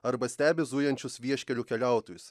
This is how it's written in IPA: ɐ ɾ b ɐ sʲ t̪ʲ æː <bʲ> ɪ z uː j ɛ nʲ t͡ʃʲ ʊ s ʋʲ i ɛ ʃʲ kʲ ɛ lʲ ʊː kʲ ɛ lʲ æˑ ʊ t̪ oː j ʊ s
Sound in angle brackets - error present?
no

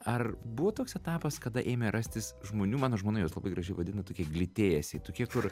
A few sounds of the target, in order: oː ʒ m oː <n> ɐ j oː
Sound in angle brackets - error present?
no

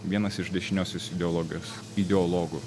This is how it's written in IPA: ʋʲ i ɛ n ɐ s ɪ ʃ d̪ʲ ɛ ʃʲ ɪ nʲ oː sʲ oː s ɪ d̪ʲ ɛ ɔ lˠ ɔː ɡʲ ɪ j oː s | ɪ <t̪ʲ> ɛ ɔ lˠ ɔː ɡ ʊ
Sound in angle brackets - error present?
yes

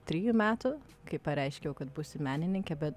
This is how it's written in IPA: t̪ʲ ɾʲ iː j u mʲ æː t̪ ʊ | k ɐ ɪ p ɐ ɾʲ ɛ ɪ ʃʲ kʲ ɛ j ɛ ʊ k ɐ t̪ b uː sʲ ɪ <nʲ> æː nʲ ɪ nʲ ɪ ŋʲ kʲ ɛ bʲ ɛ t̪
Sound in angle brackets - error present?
yes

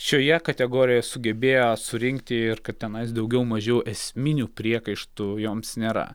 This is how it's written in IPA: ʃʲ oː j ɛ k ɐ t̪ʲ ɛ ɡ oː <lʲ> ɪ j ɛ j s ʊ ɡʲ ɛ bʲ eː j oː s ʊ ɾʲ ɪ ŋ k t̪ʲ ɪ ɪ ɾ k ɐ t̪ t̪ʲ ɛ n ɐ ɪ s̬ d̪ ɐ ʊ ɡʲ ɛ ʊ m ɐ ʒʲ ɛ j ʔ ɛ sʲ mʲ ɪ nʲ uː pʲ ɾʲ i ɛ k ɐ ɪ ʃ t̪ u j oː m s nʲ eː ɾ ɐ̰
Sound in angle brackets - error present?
yes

